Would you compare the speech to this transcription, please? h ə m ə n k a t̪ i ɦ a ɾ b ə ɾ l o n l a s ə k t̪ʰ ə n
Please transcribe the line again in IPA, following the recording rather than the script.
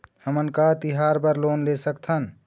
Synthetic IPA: h ə m ə n k a t̪ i ɦ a ɾ b ə ɾ l o n l e s ə k t̪ʰ ə n